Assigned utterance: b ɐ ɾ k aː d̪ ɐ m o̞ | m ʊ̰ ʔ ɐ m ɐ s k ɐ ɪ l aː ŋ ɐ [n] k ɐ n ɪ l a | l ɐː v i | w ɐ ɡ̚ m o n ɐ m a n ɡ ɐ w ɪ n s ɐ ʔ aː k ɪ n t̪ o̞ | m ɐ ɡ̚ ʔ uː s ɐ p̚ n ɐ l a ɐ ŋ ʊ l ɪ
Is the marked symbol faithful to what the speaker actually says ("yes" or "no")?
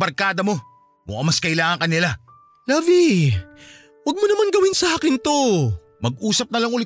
no